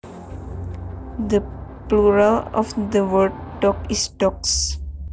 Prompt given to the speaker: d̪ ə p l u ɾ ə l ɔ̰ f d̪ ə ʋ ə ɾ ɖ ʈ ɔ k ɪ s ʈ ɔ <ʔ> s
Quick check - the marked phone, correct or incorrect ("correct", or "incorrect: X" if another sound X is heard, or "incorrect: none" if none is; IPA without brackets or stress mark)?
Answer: incorrect: k